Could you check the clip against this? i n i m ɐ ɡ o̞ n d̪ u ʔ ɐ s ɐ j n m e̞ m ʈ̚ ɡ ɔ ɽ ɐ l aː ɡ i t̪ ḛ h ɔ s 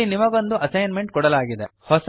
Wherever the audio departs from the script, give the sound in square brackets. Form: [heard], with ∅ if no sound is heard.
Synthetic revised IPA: i n i m ɐ ɡ o̞ n d̪ u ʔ ɐ s ɐ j n m e̞ [ɳ] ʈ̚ [k] ɔ ɽ ɐ l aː ɡ i [d̪] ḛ h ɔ s